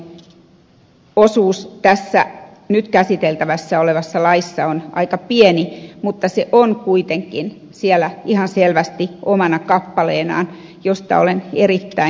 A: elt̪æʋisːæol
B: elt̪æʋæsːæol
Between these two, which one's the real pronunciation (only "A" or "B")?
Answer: B